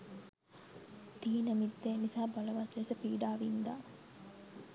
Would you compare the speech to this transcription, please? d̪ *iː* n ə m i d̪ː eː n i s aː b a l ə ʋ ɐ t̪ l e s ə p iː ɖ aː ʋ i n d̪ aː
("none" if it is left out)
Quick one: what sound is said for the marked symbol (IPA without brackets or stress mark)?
iː